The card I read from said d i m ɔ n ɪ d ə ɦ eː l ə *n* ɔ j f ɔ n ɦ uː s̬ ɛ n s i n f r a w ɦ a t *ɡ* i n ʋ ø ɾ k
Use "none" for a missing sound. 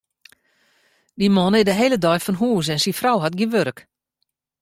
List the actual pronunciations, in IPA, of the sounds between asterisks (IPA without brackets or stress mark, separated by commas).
d, ɡ